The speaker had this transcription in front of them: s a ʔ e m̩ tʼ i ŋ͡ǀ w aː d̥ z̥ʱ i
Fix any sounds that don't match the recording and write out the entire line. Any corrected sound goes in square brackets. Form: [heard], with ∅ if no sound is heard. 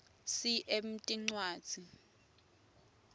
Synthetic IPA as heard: s [i] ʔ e m̩ tʼ i ŋ͡ǀ w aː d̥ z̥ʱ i